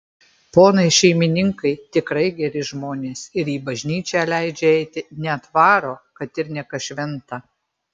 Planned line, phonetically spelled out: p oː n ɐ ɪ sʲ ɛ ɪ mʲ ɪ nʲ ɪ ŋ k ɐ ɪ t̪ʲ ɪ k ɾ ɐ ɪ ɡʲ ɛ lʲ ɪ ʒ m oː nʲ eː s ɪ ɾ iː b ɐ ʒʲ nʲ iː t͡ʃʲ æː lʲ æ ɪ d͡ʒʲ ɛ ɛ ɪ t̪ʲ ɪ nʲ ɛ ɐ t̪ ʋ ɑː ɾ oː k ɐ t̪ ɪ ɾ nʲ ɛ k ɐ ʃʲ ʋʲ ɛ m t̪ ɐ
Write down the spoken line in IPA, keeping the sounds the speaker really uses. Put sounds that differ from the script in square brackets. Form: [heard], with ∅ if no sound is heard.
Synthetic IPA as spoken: p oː n ɐ ɪ [ʃʲ] ɛ ɪ mʲ ɪ nʲ ɪ ŋ k ɐ ɪ t̪ʲ ɪ k ɾ ɐ ɪ ɡʲ ɛ [ɾʲ] ɪ ʒ m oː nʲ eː s ɪ ɾ iː b ɐ ʒʲ nʲ iː t͡ʃʲ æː lʲ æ ɪ d͡ʒʲ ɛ ɛ ɪ t̪ʲ ɪ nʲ ɛ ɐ t̪ ʋ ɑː ɾ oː k ɐ t̪ ɪ ɾ nʲ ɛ k ɐ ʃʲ ʋʲ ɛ [n] t̪ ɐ